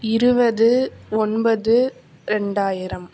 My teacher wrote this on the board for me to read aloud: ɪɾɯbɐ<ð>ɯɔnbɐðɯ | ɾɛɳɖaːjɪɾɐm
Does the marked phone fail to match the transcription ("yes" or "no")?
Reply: no